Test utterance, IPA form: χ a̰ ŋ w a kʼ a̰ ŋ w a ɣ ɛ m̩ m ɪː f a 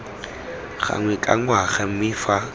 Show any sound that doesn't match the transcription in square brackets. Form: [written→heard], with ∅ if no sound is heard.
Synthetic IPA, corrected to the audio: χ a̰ ŋ w [a→ɛ] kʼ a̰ ŋ w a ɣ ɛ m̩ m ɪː f a